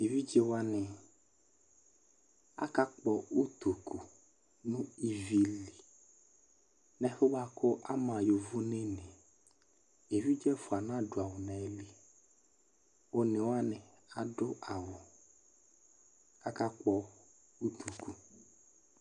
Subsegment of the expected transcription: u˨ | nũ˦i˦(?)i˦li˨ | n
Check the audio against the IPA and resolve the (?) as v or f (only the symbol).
v